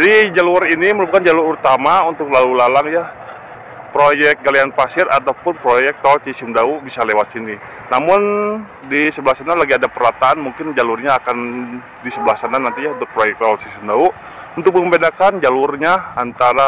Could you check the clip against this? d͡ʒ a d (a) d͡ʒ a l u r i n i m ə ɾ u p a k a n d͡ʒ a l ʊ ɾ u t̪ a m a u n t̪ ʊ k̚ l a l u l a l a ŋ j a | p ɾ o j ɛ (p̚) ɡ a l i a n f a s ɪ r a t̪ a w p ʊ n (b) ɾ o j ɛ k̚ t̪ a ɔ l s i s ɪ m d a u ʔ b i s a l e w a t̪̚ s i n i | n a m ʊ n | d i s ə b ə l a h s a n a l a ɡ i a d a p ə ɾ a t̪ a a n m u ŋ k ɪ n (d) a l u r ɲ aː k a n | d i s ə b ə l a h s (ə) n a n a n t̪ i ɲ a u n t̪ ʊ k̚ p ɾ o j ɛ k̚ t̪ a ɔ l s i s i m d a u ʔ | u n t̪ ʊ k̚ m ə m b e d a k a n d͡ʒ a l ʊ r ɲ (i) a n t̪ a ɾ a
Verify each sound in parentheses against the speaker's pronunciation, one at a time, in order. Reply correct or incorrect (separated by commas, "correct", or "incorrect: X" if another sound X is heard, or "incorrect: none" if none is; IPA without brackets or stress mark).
incorrect: i, incorrect: k̚, incorrect: p, incorrect: d͡ʒ, incorrect: a, incorrect: a